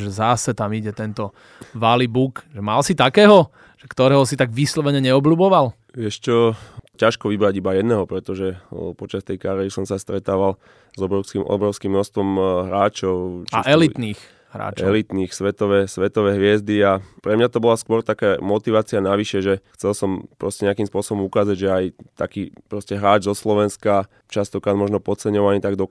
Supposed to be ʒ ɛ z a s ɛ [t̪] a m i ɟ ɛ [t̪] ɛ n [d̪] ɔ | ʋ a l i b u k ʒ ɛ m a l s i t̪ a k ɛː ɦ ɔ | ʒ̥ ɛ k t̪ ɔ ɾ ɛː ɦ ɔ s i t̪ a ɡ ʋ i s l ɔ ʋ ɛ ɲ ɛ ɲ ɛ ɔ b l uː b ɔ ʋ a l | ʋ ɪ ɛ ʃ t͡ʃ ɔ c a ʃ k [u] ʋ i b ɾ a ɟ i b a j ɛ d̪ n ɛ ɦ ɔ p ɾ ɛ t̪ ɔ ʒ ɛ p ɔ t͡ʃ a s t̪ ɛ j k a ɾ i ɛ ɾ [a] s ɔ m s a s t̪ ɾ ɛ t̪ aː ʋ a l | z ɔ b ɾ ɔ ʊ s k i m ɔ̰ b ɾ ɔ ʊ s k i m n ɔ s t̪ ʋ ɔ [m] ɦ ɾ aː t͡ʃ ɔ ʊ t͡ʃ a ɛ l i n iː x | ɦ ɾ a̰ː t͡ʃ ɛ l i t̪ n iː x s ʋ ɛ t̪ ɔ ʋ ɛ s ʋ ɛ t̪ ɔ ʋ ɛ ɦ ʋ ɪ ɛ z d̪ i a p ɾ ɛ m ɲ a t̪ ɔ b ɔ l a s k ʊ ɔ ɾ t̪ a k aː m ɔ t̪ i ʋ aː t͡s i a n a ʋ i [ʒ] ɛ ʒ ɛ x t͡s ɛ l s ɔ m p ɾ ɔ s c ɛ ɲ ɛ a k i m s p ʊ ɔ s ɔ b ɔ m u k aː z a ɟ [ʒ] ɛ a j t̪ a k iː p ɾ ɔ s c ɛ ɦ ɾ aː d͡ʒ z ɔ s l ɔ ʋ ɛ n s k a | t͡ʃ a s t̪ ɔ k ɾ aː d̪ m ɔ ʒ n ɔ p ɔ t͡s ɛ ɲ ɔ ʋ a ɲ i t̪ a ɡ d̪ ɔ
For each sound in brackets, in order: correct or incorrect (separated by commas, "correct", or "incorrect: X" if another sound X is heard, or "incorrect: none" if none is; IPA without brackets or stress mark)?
correct, correct, incorrect: t̪, incorrect: ɔ, incorrect: i, correct, incorrect: ʃ, correct